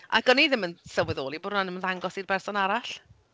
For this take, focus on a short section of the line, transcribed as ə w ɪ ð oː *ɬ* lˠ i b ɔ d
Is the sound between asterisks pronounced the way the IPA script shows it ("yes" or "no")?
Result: no